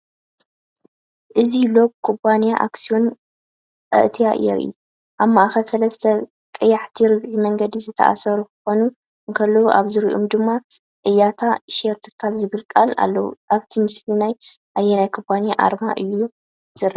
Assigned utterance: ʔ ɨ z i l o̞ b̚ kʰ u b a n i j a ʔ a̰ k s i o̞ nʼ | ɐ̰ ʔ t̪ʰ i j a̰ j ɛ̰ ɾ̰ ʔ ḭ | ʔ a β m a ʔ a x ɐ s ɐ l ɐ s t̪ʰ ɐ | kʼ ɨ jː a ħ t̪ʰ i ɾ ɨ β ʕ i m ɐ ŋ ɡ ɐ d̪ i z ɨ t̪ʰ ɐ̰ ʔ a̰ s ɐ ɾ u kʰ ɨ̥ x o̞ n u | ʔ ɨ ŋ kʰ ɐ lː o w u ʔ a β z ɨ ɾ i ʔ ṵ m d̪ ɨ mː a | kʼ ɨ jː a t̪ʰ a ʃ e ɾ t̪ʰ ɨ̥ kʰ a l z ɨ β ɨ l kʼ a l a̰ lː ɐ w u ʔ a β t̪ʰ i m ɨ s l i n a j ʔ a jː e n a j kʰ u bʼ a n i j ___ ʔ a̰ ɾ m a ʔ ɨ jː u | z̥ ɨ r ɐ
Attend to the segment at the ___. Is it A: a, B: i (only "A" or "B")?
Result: A